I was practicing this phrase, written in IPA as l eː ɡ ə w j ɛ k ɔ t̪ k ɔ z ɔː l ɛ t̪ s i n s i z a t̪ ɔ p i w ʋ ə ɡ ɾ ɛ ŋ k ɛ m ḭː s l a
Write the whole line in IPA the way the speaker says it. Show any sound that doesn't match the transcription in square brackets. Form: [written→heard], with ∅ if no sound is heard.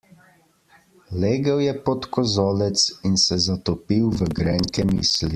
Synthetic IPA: l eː ɡ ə w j ɛ [k→p] ɔ t̪ k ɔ z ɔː l ɛ t̪ s i n s [i→ɛ] z a t̪ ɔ p i w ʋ ə ɡ ɾ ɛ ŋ k ɛ m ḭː s l [a→i]